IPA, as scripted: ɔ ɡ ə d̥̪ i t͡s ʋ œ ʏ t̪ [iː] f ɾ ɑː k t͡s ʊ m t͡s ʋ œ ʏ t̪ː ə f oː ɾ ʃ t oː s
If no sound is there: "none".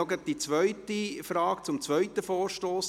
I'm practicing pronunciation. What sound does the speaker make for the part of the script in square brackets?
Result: i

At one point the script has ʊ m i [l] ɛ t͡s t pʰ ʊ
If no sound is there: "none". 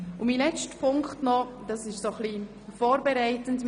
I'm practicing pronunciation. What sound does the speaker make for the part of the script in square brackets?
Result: l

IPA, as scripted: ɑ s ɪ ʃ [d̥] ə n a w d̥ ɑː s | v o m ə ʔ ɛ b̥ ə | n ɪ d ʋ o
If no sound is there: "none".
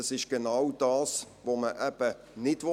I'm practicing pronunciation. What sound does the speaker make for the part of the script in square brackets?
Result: ɡ̥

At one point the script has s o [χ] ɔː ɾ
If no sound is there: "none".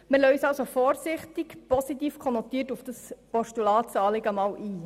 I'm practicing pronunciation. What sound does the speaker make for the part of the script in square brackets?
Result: f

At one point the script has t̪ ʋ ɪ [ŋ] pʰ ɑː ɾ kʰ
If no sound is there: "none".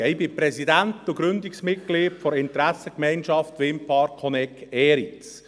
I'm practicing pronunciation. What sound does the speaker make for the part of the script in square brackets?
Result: m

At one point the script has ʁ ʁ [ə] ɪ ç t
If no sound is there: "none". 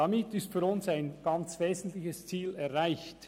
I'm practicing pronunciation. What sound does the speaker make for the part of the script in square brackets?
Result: a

